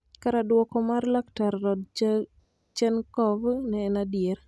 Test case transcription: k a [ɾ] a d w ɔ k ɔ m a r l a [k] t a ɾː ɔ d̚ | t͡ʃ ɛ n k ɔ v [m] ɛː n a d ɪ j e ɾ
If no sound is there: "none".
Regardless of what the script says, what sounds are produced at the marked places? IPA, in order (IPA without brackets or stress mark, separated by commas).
ɾ, k, n